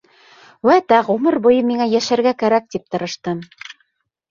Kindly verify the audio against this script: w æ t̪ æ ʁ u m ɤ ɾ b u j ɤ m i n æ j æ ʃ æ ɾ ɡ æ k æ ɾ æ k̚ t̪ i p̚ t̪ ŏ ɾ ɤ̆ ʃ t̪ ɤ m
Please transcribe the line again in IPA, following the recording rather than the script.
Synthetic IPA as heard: w æ t̪ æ ʁ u m ɤ ɾ b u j ɤ m i ŋ æ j æ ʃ æ ɾ ɡ æ k æ ɾ æ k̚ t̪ i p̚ t̪ ɤ̆ ɾ ɤ̆ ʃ t̪ ɤ m